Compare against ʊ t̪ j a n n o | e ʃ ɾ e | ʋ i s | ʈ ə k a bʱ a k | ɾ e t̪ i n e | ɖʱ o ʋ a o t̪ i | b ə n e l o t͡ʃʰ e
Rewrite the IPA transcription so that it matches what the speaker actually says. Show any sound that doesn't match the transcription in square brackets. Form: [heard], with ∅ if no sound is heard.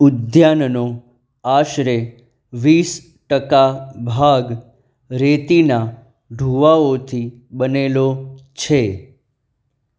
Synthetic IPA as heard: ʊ [d̪] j a n n o | [a] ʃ ɾ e | ʋ i s | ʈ ə k a bʱ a [ɡ] | ɾ e t̪ i n [a] | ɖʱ [u] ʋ a o [t̪ʰ] i | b ə n e l o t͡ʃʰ e